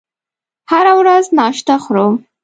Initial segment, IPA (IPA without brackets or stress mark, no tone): h